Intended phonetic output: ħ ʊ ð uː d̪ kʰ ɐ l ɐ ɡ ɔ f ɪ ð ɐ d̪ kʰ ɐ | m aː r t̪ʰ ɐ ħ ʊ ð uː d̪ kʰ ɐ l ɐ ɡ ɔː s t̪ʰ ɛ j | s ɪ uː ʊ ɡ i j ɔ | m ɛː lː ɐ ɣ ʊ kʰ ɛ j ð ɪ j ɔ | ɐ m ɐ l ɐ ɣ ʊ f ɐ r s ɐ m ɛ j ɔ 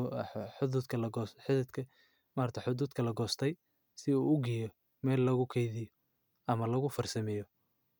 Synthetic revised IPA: ħ ʊ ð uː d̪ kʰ ɐ l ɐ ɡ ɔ ħ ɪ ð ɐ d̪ kʰ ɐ | m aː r t̪ʰ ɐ ħ ʊ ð uː d̪ kʰ ɐ l ɐ ɡ ɔː s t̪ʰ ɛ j | s ɪ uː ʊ ɡ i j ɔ | m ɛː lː ɐ ɣ ʊ kʰ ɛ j ð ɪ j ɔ | ɐ m ɐ l ɐ ɣ ʊ f ɐ r s ɐ m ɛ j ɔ